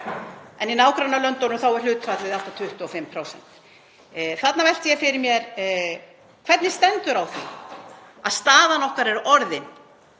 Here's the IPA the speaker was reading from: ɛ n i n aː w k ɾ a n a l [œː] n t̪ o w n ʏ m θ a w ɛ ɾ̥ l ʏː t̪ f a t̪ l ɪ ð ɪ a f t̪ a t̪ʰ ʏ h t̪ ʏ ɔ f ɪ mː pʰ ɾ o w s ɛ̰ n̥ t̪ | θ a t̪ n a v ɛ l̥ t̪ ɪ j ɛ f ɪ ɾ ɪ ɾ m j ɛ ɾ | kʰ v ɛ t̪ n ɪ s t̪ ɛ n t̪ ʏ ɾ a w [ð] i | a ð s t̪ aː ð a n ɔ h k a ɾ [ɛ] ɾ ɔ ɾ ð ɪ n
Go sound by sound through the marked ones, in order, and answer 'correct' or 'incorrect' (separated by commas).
incorrect, incorrect, correct